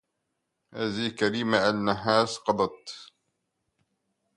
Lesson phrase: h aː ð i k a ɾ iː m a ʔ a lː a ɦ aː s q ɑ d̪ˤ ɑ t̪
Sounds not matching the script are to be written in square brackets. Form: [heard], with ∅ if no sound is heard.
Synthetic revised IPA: h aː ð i k a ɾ iː m a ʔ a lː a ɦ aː s q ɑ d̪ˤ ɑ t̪